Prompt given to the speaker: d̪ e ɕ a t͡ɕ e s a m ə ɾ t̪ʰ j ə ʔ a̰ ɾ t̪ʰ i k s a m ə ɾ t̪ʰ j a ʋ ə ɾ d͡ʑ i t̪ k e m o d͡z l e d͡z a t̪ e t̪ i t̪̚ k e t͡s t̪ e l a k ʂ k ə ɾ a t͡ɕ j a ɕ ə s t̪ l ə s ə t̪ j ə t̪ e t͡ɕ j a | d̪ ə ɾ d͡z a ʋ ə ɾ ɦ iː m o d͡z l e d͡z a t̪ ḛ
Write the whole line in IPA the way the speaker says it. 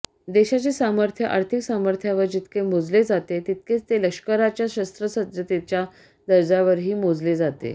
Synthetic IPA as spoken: d̪ e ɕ a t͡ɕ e s a m ə ɾ t̪ʰ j ə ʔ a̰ ɾ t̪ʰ i k s a m ə ɾ t̪ʰ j a ʋ ə ɾ d͡ʑ i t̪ k e m o d͡z l e d͡z a t̪ e t̪ i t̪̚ k e t͡s t̪ e l ə k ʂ k ə ɾ a t͡ɕ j a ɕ ə s t̪ ɾ ə s ə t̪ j ə t̪ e t͡ɕ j a | d̪ ə ɾ d͡z a ʋ ə ɾ ɦ iː m o d͡z l e d͡z a t̪ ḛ